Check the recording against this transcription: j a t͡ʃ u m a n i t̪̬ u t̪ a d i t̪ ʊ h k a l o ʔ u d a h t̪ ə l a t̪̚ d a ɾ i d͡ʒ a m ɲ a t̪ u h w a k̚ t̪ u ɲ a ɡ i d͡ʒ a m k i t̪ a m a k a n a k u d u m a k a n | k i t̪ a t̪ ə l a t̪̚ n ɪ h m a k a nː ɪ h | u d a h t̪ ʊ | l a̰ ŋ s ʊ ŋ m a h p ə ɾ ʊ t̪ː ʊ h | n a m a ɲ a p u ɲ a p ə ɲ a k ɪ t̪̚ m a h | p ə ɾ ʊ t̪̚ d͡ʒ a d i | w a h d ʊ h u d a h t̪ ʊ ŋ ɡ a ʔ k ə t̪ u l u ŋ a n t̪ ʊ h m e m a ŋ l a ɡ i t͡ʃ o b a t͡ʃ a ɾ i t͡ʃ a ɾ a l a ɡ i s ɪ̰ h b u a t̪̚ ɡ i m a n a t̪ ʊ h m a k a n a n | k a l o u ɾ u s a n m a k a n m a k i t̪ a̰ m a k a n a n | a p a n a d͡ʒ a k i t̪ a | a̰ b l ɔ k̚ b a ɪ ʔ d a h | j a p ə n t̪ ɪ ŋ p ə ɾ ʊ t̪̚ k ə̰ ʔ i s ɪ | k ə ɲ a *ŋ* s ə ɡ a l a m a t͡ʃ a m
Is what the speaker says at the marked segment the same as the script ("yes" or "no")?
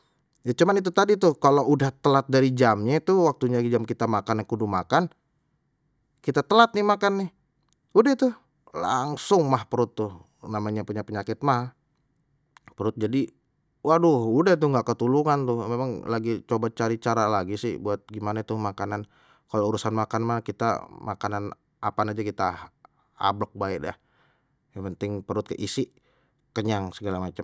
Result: yes